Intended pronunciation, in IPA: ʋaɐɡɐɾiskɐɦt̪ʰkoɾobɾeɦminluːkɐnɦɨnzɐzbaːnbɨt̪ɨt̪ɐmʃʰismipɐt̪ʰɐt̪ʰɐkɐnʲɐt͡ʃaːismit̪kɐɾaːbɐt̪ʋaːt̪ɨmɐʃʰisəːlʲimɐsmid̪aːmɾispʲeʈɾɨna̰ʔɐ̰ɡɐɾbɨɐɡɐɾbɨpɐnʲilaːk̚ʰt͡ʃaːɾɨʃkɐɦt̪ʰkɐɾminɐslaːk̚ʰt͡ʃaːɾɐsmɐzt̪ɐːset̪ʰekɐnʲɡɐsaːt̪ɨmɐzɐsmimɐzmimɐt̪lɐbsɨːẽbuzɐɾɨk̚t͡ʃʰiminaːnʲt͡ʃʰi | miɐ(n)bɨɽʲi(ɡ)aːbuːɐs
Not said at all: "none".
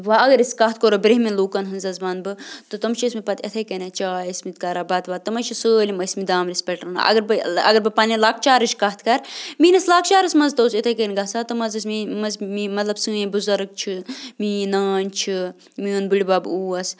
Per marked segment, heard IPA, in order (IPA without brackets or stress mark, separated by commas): n, b